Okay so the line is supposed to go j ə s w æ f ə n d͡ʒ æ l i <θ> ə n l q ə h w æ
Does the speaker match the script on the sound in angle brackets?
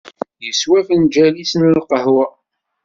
no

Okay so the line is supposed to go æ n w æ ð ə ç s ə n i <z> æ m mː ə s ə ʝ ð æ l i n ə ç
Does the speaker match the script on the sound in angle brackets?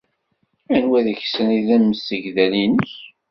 no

